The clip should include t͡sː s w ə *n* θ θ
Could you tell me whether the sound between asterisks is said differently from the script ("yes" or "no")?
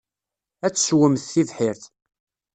yes